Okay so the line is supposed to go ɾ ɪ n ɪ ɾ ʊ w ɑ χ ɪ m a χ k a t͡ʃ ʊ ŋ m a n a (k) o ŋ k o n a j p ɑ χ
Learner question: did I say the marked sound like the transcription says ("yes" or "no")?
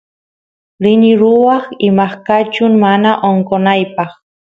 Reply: no